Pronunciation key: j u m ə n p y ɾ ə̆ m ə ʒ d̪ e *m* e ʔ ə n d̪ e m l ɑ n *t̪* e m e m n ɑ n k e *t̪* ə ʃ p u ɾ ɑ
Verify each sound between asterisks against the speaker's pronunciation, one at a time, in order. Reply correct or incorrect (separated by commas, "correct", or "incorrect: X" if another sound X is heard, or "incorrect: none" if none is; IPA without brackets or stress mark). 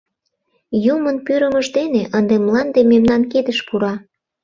incorrect: n, incorrect: d̪, incorrect: d̪